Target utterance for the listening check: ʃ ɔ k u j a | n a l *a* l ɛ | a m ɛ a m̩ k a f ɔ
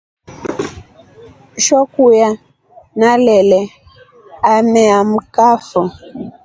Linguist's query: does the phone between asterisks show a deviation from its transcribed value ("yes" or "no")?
yes